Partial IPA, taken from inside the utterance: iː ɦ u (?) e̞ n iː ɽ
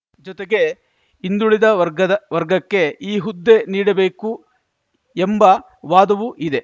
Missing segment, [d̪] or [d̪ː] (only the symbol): d̪ː